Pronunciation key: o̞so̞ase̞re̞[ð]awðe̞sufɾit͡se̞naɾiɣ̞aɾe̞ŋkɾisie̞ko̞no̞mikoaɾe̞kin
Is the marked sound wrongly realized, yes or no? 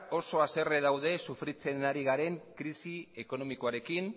no